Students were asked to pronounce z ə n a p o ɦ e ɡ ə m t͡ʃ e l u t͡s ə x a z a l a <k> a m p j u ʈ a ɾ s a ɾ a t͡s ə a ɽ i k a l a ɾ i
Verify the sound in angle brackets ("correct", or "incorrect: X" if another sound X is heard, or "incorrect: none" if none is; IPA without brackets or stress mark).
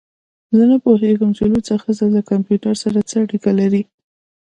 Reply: correct